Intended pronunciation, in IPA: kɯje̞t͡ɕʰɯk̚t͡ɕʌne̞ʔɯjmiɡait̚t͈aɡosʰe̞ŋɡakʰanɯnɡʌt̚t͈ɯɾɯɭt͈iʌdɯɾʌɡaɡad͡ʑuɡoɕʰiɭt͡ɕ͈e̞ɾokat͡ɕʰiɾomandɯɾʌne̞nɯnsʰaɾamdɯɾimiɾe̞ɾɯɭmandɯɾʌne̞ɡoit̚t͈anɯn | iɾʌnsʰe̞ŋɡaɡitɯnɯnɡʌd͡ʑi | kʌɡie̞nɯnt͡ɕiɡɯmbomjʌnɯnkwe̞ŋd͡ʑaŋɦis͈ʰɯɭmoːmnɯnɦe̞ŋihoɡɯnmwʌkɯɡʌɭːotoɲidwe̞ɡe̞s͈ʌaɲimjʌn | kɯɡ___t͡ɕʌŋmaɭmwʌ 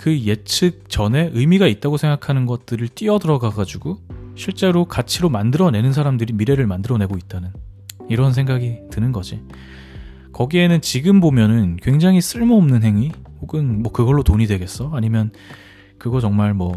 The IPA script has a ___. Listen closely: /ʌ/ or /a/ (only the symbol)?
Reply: ʌ